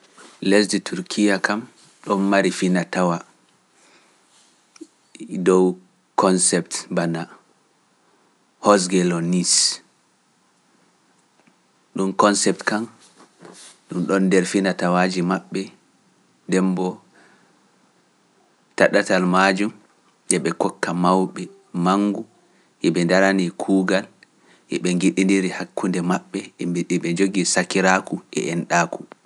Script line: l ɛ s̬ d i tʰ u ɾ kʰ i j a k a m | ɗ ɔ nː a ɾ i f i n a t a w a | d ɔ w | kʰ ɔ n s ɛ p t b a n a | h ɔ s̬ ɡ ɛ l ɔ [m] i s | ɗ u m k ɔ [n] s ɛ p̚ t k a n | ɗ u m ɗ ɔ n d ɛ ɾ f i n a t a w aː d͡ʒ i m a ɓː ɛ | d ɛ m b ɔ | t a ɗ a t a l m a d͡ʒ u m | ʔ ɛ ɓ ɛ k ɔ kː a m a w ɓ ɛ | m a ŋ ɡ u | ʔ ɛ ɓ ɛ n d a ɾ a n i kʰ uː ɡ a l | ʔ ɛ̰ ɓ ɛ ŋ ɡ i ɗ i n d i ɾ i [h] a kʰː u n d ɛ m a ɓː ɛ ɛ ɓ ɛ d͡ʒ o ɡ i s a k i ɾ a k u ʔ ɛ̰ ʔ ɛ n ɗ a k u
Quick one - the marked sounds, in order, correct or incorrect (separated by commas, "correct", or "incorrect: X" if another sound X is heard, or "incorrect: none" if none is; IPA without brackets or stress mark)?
incorrect: n, correct, correct